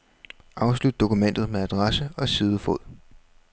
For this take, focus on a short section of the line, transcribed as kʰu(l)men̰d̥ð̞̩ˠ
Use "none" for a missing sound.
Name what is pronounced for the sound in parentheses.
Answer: none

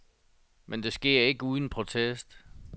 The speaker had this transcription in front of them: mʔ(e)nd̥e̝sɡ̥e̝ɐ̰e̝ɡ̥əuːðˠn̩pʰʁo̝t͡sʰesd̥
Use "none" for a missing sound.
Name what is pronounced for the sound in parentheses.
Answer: e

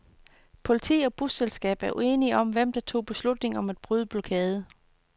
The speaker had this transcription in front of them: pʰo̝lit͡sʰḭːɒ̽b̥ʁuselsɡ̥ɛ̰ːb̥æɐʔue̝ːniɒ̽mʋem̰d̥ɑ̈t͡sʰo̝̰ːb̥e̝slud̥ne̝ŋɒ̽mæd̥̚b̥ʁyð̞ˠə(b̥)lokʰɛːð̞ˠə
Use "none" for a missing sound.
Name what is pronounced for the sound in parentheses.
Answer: b̥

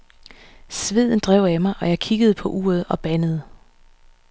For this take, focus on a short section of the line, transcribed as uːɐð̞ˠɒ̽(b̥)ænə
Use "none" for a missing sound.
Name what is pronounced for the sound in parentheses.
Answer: b̥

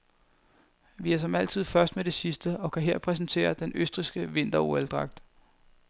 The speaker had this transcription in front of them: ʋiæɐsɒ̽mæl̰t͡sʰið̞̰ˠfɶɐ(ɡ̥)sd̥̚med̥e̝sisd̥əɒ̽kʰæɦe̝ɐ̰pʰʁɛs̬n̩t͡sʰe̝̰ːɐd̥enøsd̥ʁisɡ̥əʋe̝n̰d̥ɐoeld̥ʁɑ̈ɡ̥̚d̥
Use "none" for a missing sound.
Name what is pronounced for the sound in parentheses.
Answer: none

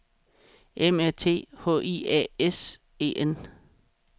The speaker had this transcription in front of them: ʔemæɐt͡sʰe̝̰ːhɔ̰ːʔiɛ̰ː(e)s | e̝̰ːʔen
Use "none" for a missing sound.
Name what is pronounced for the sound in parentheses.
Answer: e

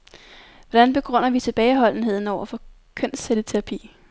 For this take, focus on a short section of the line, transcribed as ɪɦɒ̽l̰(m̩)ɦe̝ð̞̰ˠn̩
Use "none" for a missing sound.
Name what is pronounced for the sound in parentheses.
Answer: n̩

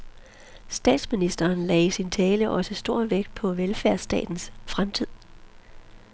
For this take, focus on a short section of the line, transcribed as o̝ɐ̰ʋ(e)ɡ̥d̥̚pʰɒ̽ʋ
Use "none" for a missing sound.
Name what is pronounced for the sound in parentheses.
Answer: e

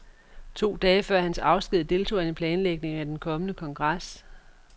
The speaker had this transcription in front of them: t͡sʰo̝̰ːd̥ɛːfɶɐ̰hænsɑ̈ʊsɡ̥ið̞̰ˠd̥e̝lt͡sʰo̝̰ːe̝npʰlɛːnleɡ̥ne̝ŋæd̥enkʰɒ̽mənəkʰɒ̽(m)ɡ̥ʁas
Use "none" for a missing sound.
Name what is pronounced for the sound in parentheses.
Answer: ŋ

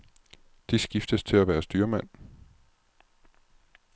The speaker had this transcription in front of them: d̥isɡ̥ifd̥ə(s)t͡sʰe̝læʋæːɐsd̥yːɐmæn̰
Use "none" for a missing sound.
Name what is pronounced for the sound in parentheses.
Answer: s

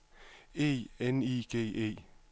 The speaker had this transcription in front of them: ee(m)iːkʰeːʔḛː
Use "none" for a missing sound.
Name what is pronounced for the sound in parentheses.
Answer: n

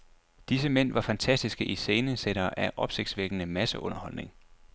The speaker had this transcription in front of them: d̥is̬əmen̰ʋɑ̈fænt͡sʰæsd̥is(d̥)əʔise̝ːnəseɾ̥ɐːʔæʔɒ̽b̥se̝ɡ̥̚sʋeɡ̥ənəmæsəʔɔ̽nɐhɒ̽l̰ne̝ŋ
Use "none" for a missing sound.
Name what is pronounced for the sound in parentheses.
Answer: ɡ̥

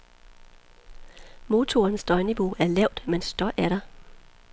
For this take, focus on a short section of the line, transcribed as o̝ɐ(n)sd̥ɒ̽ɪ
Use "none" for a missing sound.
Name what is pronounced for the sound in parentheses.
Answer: n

